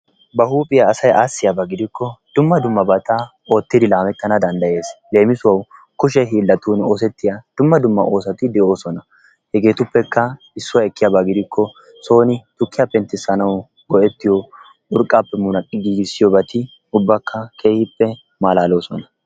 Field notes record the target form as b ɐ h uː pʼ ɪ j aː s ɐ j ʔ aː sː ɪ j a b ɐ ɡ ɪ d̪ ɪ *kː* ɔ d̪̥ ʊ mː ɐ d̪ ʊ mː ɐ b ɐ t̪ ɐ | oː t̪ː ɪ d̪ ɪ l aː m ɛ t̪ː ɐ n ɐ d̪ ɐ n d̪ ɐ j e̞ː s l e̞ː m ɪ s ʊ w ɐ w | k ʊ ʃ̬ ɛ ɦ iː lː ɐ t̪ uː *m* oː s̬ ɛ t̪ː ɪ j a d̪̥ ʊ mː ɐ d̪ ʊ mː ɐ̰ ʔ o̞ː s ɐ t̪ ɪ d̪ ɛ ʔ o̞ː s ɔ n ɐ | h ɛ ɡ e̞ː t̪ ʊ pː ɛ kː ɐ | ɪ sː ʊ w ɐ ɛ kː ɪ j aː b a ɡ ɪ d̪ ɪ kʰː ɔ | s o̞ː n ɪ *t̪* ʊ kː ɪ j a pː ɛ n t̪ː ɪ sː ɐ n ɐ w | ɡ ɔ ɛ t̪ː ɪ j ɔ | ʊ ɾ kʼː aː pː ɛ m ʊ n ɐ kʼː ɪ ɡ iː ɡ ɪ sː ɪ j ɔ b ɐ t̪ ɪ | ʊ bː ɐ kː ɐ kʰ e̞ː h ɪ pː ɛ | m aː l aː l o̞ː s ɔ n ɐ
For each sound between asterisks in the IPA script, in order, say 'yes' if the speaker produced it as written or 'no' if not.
yes, no, yes

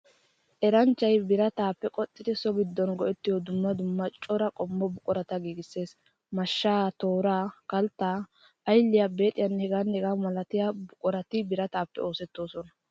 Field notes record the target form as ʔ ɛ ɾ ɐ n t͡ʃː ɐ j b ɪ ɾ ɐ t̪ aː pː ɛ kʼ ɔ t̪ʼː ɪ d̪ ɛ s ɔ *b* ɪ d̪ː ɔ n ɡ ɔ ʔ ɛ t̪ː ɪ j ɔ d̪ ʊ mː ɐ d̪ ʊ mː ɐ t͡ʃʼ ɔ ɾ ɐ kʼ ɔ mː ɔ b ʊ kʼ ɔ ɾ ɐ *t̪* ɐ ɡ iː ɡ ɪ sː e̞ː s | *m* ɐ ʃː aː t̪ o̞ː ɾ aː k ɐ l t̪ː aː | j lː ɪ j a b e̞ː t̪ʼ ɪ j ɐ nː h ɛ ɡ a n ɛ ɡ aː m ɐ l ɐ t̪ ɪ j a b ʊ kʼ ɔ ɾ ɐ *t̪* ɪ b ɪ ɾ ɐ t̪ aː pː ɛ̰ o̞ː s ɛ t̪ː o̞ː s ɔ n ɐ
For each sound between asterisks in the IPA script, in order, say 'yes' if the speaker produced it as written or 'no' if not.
no, yes, yes, yes

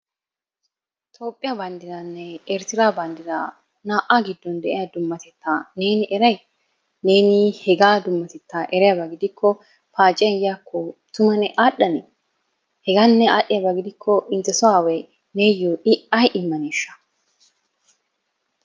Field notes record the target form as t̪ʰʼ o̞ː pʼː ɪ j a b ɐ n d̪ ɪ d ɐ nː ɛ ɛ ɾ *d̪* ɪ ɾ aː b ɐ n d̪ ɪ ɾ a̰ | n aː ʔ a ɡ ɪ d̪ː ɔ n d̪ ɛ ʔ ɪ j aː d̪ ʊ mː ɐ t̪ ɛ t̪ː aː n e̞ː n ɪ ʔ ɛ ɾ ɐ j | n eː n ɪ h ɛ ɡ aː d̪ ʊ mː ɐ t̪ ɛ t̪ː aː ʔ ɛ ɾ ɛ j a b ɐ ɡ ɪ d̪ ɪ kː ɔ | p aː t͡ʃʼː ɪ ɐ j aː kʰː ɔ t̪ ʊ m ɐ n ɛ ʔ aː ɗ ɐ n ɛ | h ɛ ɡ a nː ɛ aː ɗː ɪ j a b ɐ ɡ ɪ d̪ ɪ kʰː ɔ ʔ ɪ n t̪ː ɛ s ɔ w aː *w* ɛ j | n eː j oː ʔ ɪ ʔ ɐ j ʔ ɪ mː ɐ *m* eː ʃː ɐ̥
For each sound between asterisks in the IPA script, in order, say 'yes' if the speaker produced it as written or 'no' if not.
no, yes, no

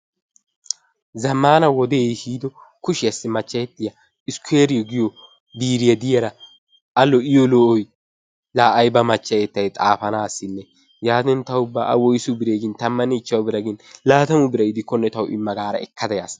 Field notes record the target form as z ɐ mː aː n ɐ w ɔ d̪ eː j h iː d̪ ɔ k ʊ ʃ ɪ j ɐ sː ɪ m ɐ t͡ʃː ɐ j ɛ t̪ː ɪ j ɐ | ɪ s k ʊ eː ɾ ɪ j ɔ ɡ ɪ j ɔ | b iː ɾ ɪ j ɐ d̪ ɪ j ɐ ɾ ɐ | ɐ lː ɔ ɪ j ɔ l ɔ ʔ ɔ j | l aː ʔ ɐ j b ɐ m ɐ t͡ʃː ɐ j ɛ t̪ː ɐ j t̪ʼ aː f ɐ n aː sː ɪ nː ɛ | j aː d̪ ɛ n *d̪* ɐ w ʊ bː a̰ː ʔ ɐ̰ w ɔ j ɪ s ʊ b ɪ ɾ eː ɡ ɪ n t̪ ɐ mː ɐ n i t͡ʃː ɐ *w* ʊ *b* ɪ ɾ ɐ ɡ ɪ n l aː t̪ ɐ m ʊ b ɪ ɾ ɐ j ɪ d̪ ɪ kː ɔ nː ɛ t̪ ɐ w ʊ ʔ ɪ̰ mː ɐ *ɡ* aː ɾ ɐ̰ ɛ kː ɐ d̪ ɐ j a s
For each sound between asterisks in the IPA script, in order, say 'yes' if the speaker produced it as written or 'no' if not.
no, yes, yes, yes

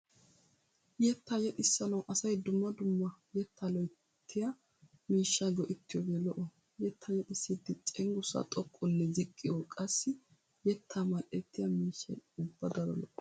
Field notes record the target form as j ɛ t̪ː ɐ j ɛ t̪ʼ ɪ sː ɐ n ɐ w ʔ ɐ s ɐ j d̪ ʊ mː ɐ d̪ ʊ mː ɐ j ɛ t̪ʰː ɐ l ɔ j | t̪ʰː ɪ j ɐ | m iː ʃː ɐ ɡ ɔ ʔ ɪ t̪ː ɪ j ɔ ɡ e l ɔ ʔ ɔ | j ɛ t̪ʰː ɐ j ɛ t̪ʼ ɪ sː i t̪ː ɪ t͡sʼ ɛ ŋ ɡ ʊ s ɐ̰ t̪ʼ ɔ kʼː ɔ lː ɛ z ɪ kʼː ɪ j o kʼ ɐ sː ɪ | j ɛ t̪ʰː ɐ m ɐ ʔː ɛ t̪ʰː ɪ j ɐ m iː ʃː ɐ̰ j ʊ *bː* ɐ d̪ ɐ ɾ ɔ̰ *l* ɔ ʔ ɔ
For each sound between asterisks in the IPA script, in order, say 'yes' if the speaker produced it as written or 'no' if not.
yes, yes

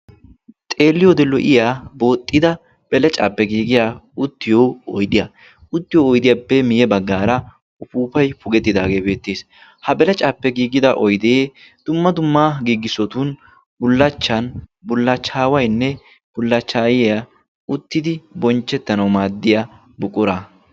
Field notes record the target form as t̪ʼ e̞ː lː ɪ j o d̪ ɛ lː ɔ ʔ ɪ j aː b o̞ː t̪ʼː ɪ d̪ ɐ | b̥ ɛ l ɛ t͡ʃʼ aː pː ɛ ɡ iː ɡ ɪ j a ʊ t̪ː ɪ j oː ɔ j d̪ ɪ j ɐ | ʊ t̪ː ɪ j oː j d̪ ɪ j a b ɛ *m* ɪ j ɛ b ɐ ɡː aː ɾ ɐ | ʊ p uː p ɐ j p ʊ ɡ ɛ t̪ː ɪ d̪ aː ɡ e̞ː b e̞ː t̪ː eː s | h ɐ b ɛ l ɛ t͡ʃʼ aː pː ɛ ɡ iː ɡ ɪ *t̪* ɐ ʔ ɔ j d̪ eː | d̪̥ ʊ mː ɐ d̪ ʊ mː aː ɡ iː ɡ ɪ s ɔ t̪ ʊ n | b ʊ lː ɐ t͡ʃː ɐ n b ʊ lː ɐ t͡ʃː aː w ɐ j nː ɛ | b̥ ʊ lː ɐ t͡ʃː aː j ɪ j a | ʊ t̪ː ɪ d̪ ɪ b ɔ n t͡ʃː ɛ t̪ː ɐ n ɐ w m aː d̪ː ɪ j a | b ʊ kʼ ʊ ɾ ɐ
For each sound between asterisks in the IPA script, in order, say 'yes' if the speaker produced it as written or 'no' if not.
yes, no

